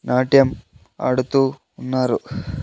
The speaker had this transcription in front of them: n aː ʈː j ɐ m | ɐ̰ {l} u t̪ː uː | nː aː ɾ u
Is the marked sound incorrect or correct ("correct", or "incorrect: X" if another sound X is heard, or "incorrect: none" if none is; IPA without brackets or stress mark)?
incorrect: ɽ